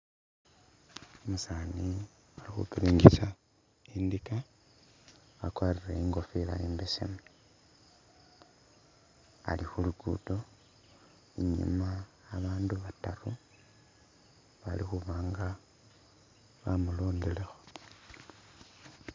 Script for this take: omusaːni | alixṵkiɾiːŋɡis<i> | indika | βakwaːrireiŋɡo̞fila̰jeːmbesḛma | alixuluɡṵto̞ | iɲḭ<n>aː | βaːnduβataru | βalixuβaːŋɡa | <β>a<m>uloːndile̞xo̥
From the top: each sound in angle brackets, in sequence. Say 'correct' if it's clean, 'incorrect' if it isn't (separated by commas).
incorrect, incorrect, correct, correct